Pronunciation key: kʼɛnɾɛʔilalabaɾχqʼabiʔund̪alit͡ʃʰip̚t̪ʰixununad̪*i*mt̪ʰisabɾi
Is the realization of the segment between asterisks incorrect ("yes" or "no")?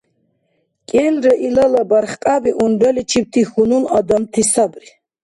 yes